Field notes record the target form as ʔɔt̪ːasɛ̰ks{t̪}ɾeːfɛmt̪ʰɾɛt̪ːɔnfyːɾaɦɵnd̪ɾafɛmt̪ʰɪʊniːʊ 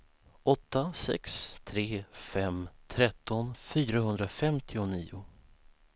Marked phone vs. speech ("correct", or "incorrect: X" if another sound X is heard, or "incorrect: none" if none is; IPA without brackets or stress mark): incorrect: t̪ʰ